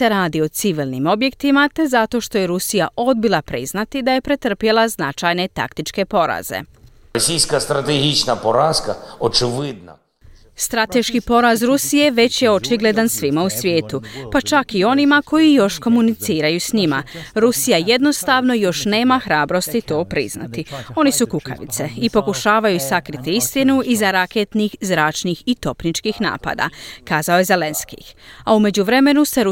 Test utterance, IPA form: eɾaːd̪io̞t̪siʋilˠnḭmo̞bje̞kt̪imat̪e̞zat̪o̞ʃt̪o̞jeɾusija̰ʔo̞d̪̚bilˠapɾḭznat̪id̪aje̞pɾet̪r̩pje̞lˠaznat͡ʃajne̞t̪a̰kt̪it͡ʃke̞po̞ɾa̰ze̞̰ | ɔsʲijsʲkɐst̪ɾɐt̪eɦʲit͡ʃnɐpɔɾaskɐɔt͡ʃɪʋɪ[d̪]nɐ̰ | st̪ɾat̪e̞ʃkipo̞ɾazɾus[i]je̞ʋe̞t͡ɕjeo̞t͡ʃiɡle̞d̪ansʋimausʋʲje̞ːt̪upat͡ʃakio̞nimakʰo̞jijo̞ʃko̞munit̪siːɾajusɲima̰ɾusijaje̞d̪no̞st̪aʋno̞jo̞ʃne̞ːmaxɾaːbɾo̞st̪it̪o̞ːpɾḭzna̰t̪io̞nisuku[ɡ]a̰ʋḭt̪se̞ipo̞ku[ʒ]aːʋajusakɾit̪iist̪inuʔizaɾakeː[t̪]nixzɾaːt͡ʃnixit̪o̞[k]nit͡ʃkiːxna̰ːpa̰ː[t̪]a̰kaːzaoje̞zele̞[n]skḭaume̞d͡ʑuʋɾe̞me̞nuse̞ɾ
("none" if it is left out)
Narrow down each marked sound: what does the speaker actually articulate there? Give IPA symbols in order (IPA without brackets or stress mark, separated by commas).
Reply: d̪, i, k, ʃ, t̪, p, d̪, n